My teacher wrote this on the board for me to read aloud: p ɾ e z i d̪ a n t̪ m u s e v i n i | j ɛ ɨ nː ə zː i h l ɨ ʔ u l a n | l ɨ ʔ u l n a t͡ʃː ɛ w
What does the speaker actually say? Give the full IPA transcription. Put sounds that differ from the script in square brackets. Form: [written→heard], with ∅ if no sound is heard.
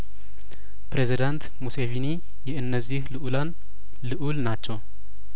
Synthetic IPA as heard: p ɾ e z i d̪ a n t̪ m u s e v i n i | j ɛ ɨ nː ə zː i h l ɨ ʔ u l a n | l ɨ ʔ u l n a t͡ʃː ɛ w